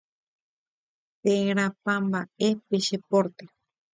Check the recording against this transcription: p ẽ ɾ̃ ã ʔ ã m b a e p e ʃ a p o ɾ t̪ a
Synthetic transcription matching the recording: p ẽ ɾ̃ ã p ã m b a e p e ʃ e p o ɾ t̪ e